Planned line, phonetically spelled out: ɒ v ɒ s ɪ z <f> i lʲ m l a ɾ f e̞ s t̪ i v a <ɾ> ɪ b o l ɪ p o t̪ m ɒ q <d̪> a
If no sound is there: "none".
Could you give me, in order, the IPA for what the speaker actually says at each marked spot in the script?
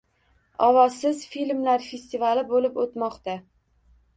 f, l, t̪

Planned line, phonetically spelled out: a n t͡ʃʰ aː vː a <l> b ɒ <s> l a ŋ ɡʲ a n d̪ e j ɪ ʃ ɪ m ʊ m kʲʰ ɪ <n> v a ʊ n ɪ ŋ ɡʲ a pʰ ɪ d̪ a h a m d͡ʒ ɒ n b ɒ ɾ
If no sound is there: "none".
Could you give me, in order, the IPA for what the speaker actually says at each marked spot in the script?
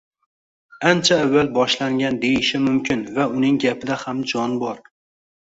l, ʃ, n

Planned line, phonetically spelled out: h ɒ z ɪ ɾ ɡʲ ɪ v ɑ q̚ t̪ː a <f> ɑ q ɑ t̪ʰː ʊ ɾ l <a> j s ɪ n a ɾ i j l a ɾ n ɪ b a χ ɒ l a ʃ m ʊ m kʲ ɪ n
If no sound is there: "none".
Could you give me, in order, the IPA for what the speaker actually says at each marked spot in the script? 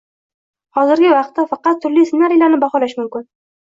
f, i

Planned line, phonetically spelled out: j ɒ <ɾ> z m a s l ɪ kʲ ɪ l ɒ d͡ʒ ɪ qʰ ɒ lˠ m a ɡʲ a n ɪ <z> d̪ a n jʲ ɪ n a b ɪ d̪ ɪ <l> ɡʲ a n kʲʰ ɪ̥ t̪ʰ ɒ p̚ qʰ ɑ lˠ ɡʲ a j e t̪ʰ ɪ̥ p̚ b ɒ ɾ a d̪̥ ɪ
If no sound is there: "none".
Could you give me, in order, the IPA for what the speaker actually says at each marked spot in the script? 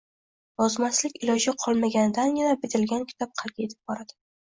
none, none, l

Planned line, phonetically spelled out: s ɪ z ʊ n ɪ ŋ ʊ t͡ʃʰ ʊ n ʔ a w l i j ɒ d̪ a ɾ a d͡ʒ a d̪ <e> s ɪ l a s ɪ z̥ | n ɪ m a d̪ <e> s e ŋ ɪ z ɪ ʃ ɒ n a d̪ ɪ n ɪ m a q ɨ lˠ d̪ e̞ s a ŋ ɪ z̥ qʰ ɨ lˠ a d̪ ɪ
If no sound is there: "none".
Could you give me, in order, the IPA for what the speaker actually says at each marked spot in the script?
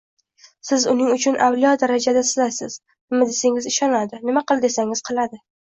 a, e

